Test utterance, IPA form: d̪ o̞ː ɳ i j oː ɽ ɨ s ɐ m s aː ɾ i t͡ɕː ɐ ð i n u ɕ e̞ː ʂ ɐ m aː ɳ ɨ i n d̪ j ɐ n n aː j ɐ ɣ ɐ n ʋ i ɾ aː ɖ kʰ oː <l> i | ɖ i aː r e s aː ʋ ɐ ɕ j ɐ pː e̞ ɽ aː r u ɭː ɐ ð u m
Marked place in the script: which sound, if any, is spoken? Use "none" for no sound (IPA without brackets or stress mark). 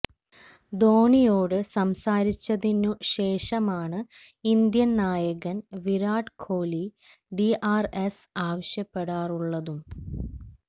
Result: l